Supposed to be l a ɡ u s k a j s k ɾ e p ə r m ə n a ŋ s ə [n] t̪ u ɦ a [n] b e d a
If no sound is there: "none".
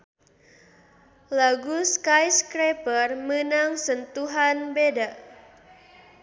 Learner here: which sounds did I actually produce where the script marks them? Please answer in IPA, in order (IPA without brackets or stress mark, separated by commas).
n, n